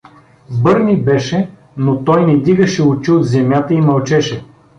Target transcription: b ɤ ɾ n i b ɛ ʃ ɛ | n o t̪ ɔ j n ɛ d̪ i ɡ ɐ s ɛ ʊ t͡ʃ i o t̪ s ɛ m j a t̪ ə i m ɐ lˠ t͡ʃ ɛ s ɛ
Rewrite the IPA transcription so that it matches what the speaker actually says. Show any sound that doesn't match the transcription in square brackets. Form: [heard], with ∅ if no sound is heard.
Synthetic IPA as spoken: b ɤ ɾ n i b ɛ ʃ ɛ | n o t̪ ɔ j n ɛ d̪ i ɡ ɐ [ʃ] ɛ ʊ t͡ʃ i o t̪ [z] ɛ m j a t̪ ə i m ɐ lˠ t͡ʃ ɛ [ʃ] ɛ